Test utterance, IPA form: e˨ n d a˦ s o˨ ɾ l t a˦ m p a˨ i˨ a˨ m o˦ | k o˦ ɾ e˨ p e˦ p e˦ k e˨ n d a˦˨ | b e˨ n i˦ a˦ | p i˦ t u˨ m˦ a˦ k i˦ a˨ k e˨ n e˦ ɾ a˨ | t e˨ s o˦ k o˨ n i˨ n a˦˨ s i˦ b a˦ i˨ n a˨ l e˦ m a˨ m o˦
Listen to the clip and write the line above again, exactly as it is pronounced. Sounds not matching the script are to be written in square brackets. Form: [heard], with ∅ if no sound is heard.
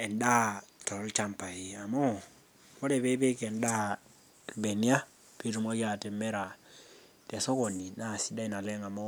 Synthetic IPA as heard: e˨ n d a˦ [t] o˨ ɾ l [t͡ʃ] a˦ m p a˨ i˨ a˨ m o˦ | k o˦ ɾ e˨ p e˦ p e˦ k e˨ n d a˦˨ | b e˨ n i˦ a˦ | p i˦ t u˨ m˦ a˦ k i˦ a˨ [t] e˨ [m] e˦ ɾ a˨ | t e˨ s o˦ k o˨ n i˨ n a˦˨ s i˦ [d] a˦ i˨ n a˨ l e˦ [ŋ] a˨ m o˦